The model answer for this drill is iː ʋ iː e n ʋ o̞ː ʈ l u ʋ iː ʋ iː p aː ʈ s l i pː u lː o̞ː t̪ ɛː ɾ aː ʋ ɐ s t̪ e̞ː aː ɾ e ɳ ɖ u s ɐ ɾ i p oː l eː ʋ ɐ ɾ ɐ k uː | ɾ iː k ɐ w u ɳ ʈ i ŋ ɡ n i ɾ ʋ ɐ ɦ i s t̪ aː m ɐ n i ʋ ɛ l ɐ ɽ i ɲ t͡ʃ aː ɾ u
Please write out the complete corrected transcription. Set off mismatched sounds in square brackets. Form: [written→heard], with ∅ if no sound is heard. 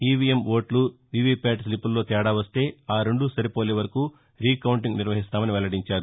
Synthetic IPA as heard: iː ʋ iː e [n→m] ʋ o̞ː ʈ l u ʋ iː ʋ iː p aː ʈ s l i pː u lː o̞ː t̪ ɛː [ɾ→ɽ] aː ʋ ɐ s t̪ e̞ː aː ɾ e ɳ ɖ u s ɐ ɾ i p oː l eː ʋ ɐ ɾ ɐ k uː | ɾ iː k ɐ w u ɳ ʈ i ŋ ɡ n i ɾ ʋ ɐ ɦ i s t̪ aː m ɐ n i ʋ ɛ l ɐ ɽ i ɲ t͡ʃ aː ɾ u